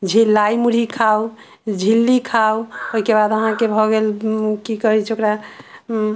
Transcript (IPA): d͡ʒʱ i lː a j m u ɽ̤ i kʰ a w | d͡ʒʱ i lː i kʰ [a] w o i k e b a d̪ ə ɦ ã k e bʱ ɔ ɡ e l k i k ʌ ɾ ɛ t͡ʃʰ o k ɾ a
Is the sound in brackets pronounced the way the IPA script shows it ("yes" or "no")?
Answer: yes